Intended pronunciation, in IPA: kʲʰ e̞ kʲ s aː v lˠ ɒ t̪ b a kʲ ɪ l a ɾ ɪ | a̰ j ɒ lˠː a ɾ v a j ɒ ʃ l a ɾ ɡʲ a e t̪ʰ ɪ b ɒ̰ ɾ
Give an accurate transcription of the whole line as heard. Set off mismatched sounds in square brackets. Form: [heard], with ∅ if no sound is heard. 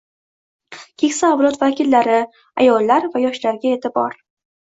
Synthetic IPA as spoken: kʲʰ e̞ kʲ s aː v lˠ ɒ t̪ [v] a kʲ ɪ [lː] a ɾ ɪ | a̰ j ɒ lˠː a ɾ v a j ɒ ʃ l a ɾ ɡʲ a e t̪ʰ ɪ b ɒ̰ ɾ